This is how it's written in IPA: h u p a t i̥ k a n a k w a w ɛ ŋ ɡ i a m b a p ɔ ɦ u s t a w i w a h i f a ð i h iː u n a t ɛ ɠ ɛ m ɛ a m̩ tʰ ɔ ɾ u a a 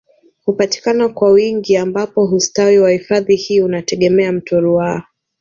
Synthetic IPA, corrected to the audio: h u p a t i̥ k a n a k w a w i ŋ ɡ i a m b a p ɔ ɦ u s t a w i w a h i f a ð i h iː u n a t ɛ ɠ ɛ m ɛ a m̩ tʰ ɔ ɾ u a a